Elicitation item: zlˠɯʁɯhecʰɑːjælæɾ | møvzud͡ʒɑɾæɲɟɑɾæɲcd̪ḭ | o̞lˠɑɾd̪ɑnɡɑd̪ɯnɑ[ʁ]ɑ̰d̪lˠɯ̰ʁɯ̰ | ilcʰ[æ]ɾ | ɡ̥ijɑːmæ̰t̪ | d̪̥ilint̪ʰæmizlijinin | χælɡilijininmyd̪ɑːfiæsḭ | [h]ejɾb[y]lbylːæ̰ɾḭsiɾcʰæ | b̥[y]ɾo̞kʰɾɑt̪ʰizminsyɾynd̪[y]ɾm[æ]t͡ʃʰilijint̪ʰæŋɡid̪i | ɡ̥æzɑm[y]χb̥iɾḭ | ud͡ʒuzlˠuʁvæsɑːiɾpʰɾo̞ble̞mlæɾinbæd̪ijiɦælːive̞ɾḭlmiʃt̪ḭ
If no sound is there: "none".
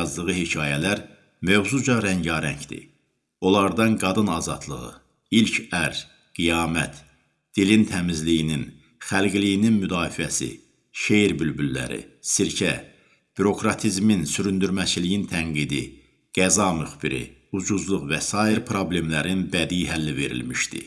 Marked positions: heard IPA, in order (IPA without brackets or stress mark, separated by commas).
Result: z, æ, ʃ, y, y, y, æ, y